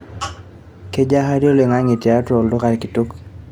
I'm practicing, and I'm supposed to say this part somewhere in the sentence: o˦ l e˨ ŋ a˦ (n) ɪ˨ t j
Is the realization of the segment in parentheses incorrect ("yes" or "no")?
yes